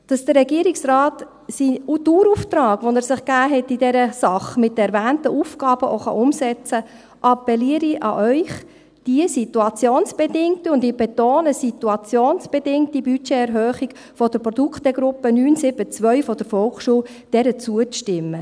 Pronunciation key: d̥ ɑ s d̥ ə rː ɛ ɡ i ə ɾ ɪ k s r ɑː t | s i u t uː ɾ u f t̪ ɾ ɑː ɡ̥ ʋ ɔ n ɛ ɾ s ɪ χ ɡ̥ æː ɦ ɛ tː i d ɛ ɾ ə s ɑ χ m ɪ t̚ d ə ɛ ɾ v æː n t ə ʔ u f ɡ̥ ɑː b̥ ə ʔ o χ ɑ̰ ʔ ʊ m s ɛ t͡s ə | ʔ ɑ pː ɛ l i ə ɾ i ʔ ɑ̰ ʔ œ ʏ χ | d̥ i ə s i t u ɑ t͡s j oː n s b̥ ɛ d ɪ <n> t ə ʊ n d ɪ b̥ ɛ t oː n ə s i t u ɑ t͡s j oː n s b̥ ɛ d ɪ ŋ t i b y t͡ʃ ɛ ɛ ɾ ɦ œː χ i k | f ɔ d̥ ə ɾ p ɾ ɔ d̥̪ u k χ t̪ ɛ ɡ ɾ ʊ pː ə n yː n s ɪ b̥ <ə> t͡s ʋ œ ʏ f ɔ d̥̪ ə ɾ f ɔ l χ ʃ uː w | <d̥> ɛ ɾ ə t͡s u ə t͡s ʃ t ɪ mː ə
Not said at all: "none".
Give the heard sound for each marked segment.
ŋ, ə, d̥

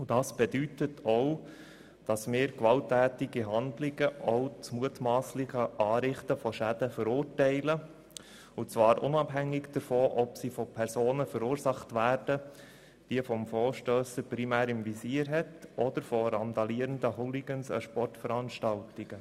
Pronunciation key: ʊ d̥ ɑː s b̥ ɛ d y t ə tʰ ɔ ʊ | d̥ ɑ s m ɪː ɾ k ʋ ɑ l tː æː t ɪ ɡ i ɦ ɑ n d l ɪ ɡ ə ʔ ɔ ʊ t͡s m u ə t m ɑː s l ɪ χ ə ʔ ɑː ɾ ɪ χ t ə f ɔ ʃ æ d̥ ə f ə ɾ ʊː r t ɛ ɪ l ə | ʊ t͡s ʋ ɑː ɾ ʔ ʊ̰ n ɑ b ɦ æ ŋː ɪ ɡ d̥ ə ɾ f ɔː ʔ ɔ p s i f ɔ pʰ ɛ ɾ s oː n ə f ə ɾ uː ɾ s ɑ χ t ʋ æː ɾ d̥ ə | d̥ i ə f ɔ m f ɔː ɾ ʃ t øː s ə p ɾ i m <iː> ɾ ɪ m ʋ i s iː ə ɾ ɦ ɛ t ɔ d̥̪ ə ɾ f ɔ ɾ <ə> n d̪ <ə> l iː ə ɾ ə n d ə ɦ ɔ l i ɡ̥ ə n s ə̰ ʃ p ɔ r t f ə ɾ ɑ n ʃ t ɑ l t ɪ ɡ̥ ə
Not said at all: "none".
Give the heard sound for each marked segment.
æː, ɑ, ɑ

